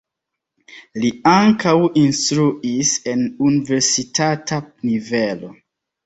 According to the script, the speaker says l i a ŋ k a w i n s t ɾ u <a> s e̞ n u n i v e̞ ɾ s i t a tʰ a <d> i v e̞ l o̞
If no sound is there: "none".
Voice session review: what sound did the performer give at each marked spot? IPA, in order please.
i, n

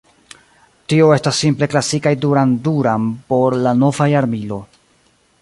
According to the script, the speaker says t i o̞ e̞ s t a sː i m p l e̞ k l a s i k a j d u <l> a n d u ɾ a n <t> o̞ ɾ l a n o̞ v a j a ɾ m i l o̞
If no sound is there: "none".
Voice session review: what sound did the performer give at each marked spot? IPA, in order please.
ɾ, p

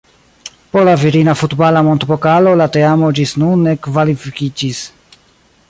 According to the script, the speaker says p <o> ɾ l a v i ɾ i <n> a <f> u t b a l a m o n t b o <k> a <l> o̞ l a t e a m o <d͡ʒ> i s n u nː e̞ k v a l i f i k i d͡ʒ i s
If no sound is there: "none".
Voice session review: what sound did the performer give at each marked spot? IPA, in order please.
o, n, f, k, l, d͡ʒ

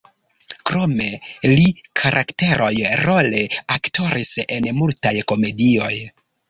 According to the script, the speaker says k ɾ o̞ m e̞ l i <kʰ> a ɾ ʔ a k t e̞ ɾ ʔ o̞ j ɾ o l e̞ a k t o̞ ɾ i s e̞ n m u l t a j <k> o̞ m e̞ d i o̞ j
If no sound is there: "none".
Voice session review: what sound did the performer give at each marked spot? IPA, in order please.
kʰ, k

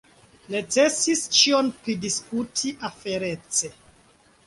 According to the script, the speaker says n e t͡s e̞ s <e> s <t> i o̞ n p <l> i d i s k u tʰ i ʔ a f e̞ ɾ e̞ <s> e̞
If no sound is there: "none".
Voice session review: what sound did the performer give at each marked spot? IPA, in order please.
i, t͡ʃ, ɾ, t͡s

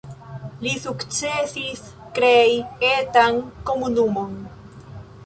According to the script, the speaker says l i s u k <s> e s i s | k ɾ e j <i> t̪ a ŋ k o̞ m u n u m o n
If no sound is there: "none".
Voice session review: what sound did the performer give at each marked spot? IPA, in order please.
t͡s, e

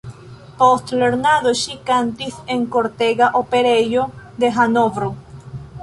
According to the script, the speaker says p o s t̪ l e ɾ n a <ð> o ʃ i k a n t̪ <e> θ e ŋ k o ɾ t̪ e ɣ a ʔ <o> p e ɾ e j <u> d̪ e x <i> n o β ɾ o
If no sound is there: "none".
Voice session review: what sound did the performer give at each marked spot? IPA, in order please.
ð, i, o, o, a

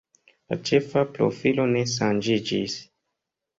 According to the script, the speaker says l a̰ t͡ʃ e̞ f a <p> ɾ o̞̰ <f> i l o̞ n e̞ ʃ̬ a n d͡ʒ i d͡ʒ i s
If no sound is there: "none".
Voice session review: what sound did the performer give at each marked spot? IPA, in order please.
p, f

